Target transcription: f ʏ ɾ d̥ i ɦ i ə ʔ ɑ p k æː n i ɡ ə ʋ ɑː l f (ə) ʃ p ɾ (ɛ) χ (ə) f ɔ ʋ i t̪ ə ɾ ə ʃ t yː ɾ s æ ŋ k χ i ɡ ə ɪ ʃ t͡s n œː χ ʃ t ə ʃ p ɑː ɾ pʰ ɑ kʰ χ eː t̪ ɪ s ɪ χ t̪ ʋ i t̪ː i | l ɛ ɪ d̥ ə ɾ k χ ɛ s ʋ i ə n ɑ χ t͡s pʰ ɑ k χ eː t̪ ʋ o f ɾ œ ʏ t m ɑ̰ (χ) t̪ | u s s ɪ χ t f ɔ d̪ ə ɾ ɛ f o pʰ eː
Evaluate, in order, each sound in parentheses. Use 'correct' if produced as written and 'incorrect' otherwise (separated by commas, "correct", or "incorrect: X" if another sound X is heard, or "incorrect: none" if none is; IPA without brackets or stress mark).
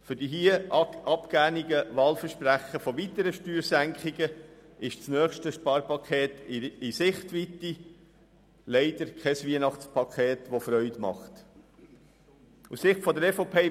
correct, incorrect: æ, correct, correct